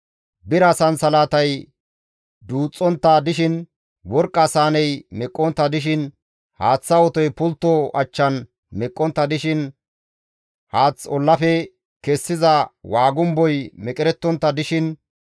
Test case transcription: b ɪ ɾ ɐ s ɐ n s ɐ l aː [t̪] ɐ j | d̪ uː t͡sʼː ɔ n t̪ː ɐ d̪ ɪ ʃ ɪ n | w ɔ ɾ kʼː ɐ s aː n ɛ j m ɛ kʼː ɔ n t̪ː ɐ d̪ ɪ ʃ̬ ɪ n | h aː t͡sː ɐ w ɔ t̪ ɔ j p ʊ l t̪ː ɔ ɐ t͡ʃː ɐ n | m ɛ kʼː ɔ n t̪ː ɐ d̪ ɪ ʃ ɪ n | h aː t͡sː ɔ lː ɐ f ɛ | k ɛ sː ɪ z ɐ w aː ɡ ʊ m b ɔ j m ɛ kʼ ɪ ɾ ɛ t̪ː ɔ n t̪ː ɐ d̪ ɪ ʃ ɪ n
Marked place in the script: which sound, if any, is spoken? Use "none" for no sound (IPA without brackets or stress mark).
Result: t̪